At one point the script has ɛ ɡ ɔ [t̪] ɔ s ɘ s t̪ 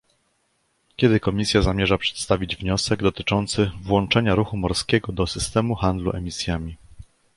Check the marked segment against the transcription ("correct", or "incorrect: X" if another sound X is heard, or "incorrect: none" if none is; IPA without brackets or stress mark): incorrect: d̪